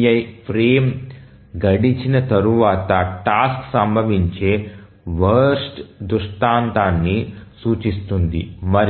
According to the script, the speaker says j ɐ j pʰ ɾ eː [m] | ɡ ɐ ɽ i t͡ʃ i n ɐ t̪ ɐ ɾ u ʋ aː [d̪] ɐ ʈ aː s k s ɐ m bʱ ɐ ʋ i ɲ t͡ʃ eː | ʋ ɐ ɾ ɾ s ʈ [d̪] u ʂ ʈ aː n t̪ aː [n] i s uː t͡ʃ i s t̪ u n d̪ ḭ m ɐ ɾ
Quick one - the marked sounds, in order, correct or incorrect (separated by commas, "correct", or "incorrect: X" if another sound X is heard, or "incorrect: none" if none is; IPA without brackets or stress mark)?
correct, incorrect: t̪, correct, incorrect: nː